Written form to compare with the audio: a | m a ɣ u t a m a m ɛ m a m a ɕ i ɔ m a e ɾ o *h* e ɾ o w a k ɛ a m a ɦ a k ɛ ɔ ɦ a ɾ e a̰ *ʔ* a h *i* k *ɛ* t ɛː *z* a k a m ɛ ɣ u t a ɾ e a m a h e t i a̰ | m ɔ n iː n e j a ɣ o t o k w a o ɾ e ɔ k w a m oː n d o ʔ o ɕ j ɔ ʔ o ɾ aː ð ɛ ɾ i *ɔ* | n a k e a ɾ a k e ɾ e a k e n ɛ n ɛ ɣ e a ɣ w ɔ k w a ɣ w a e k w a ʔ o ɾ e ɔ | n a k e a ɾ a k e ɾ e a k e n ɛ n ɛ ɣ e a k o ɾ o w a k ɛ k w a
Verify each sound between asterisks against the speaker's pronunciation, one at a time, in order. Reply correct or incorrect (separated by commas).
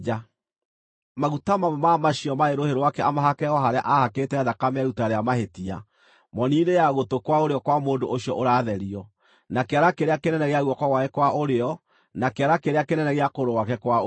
correct, correct, incorrect, incorrect, incorrect, correct